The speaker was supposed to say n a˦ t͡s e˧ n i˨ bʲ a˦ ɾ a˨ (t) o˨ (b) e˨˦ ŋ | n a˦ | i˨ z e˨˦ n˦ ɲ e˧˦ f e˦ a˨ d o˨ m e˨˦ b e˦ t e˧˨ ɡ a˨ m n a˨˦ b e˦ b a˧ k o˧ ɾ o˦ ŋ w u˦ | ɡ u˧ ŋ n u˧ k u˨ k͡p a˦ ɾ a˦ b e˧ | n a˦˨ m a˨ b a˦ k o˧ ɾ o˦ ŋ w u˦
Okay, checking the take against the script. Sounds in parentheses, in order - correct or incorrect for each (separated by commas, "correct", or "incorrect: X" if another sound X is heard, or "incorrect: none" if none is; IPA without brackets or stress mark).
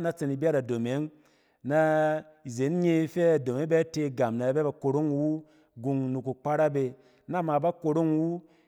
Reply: incorrect: d, incorrect: m